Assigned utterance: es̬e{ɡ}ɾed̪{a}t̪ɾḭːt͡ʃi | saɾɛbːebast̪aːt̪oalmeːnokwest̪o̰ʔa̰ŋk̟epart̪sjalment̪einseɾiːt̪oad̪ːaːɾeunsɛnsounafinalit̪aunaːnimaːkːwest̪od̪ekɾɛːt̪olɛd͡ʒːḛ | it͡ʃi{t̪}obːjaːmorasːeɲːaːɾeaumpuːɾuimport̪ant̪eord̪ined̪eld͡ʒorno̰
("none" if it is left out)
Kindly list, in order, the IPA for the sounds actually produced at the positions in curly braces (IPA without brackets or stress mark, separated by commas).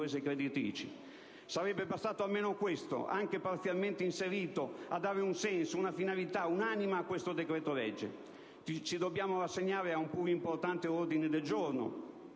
k, i, d̪